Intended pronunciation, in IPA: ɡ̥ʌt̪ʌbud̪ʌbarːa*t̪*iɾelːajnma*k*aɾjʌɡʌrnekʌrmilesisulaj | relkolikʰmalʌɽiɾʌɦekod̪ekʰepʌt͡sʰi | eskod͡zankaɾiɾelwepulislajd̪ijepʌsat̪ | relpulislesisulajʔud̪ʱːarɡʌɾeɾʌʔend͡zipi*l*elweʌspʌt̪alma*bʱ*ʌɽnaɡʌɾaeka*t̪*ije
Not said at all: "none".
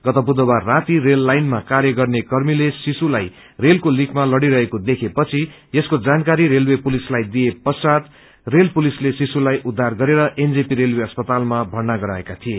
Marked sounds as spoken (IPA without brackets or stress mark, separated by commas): t̪, k, ɾ, bʱ, t̪ʰ